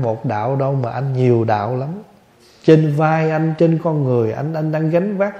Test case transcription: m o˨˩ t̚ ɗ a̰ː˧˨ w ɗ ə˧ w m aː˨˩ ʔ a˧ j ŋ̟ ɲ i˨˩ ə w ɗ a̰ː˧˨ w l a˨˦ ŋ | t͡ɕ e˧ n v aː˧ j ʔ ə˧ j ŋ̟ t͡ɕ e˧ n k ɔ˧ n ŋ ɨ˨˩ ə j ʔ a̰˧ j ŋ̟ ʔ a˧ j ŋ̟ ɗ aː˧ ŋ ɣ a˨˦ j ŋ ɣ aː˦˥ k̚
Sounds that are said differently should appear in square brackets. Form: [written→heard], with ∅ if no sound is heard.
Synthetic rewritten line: m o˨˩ t̚ ɗ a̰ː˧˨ w ɗ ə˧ w m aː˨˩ ʔ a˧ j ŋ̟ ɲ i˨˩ ə w ɗ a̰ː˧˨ w l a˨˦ [ŋ→m] | t͡ɕ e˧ n v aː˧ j ʔ [ə˧→a˧] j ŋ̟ t͡ɕ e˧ n k ɔ˧ n ŋ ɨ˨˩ ə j ʔ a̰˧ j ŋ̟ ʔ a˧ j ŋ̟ ɗ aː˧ ŋ ɣ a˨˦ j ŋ [ɣ→v] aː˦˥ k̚